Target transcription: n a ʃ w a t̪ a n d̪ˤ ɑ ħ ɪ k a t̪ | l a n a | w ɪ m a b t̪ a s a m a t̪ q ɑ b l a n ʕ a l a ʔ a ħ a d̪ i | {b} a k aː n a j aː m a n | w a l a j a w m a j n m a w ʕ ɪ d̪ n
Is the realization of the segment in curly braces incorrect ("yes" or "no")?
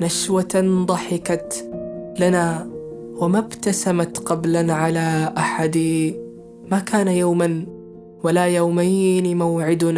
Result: yes